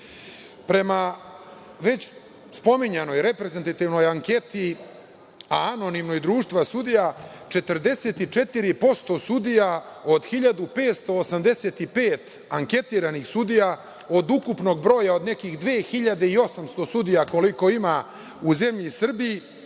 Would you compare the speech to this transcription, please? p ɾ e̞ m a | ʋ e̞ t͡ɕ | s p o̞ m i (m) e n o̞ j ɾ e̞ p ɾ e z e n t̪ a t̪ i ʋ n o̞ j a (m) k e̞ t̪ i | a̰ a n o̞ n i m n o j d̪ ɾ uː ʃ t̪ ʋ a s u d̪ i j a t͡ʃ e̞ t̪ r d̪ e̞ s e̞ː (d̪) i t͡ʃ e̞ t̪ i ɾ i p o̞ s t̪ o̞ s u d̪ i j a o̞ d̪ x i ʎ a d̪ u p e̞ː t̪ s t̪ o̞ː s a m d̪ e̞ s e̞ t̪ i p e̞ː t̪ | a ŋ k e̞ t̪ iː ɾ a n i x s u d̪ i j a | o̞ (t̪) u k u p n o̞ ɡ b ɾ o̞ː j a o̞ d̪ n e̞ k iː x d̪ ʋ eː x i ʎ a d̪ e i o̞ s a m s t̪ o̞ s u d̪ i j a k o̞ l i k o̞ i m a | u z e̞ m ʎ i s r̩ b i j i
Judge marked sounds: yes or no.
no, no, no, no

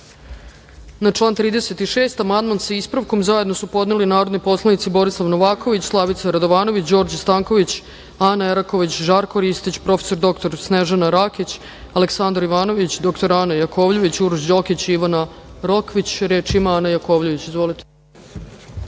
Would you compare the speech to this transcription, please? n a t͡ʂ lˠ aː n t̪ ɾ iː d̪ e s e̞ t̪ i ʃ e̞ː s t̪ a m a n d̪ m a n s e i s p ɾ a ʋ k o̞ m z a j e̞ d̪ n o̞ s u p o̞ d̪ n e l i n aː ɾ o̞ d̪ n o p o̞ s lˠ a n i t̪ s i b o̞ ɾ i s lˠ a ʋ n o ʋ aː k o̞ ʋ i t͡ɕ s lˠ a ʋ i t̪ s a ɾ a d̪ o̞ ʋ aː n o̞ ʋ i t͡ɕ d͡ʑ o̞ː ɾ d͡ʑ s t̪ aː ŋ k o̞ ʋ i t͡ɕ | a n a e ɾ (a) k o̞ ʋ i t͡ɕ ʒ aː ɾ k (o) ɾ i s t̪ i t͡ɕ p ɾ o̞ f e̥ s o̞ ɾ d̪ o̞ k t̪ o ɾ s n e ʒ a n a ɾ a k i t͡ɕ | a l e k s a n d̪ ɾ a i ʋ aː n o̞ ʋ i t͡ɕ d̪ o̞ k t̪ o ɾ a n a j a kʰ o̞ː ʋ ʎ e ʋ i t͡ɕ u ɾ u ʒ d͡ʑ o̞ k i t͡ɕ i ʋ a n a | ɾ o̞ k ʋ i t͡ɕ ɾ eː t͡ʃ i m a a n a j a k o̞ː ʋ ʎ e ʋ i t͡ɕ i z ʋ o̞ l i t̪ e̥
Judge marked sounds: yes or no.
yes, yes

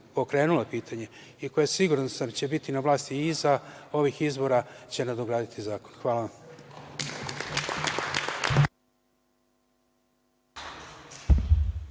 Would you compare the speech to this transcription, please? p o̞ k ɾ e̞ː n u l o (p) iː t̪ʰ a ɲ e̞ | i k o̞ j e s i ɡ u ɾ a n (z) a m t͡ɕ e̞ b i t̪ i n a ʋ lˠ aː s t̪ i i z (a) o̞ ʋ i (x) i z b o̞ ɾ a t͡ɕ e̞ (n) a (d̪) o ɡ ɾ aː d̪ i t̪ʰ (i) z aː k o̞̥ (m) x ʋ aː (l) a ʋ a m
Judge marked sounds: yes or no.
yes, no, yes, yes, yes, yes, yes, no, yes

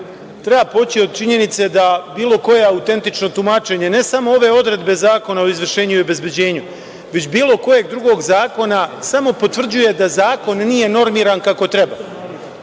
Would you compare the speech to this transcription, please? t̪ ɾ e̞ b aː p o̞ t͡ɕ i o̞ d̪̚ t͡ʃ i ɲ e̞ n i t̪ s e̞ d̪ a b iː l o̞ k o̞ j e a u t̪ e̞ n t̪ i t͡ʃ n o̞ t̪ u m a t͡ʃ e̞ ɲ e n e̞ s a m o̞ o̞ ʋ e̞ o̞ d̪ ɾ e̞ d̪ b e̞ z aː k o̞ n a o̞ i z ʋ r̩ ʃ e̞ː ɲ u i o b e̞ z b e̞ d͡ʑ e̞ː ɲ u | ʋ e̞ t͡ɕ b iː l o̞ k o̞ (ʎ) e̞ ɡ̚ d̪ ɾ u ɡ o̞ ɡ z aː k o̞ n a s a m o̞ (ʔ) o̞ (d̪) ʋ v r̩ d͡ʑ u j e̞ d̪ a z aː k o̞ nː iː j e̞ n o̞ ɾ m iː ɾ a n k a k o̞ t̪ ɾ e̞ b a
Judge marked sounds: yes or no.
no, no, no

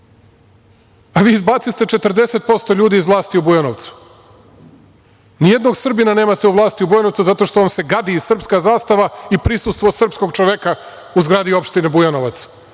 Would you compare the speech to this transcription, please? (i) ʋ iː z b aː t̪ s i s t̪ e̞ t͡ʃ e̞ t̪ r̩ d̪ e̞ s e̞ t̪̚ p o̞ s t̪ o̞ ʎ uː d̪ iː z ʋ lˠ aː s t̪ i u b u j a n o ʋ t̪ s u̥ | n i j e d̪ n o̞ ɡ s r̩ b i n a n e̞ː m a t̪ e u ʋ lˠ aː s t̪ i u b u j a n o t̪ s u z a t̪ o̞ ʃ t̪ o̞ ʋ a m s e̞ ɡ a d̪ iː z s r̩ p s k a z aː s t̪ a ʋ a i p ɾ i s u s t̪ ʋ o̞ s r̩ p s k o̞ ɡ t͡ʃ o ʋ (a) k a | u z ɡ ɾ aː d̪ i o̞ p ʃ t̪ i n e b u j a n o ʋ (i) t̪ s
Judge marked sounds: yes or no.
no, no, no

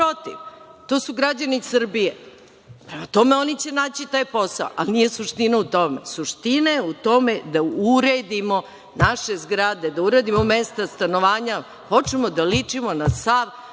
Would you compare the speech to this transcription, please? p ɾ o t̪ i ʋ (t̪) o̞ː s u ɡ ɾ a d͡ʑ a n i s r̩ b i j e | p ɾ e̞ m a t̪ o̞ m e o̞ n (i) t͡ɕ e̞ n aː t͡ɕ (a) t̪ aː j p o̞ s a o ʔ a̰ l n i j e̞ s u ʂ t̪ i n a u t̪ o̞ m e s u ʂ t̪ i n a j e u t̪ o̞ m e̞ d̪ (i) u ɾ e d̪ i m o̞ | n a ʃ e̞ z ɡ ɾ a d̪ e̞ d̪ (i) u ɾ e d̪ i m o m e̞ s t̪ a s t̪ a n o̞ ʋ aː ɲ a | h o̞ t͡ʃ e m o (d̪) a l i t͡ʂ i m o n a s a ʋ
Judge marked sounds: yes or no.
yes, yes, no, no, no, yes

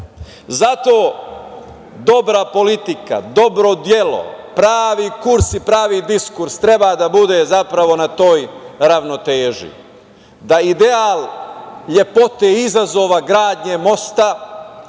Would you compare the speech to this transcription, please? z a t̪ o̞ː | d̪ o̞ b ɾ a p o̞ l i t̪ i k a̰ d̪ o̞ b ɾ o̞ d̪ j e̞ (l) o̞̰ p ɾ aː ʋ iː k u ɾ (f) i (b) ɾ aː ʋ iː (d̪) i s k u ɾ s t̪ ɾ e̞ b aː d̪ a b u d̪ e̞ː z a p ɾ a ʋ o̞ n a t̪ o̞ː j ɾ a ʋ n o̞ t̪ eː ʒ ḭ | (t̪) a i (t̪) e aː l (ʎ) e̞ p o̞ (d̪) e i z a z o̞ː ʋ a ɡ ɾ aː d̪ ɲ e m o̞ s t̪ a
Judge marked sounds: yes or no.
yes, no, no, yes, no, no, yes, no

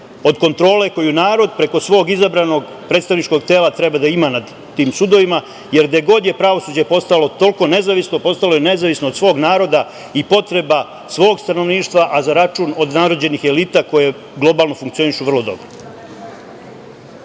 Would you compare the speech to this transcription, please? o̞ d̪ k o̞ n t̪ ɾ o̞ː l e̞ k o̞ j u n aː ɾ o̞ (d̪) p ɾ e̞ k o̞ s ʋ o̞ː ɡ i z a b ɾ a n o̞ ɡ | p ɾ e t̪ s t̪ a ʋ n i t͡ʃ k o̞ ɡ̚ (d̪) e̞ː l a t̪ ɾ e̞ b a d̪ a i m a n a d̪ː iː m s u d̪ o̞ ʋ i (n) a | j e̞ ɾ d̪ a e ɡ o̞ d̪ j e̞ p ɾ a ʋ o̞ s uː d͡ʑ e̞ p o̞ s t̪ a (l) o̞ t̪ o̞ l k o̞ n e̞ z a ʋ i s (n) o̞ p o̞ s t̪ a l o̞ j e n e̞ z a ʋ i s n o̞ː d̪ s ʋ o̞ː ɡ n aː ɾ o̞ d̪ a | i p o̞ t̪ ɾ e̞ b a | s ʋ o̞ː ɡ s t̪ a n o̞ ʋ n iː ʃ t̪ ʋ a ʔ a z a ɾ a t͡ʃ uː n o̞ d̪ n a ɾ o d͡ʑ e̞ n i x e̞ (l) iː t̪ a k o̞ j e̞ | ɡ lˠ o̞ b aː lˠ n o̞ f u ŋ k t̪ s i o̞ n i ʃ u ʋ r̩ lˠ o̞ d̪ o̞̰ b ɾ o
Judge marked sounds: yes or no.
yes, no, no, yes, yes, yes

